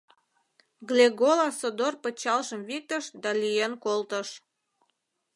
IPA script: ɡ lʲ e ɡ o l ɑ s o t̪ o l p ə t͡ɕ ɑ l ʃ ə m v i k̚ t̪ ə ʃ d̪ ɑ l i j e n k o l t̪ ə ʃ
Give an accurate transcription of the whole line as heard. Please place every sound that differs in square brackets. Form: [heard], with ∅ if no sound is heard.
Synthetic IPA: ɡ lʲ e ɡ o l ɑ s o [d̪] o [r] p ə t͡ɕ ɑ l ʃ ə m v i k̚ t̪ ə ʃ d̪ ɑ l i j e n k o l t̪ ə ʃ